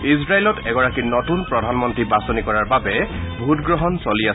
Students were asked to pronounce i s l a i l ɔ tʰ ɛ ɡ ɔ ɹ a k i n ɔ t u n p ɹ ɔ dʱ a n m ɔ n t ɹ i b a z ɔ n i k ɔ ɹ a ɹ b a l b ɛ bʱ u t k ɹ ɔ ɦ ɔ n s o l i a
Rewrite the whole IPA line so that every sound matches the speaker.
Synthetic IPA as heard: i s ɹ a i l ɔ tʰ ɛ ɡ ɔ ɹ a k i n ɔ t u n p ɹ ɔ dʱ a n m ɔ n t ɹ i b a s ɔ n i k ɔ ɹ a ɹ b a b ɛ bʱ u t ɡ ɹ ɔ ɦ ɔ n s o l i a